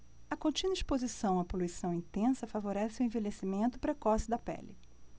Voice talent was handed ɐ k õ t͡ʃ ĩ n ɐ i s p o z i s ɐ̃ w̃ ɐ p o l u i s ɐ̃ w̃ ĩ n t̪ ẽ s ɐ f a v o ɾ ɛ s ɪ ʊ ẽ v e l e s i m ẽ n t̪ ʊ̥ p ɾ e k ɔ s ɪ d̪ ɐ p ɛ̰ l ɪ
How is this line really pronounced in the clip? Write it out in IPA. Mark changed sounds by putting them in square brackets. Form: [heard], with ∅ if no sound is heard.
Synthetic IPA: ɐ k õ t͡ʃ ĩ n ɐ i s p o z i s ɐ̃ w̃ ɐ p o l u i s ɐ̃ w̃ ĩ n t̪ ẽ s ɐ f a v o ɾ ɛ s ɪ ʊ ẽ v e l e s i m ẽ n t̪ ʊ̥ p ɾ e k ɔ s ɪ d̪ ɐ p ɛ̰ l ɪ